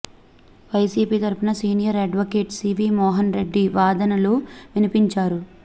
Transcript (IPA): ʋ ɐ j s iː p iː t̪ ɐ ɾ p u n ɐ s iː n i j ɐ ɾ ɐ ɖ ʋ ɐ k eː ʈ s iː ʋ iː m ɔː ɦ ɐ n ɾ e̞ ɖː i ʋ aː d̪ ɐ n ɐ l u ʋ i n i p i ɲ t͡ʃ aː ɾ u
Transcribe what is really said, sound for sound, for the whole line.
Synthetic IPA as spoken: ʋ ɐ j s iː p iː t̪ ɐ ɾ p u n ɐ s iː n i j ɐ ɾ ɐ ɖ ʋ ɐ k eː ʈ s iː ʋ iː m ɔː ɦ ɐ n ɾ e̞ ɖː i ʋ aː d̪ ɐ n ɐ l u ʋ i n i p i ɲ t͡ʃ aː ɾ u